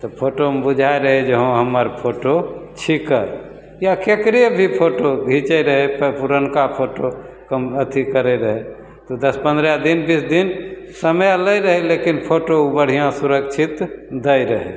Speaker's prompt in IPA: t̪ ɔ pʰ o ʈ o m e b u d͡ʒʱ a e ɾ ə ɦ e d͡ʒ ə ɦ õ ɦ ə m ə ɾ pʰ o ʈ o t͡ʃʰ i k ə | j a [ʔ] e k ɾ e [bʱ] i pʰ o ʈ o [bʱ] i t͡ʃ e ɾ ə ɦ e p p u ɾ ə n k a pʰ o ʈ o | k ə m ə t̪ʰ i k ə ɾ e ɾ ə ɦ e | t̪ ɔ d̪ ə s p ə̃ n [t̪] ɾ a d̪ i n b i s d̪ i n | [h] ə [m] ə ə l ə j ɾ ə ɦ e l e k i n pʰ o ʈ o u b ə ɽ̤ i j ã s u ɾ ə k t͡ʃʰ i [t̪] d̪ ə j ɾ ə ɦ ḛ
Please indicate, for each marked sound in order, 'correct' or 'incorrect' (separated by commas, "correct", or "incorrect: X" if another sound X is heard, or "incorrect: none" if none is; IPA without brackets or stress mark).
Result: incorrect: k, correct, incorrect: ɡʱ, incorrect: d̪, incorrect: s, correct, correct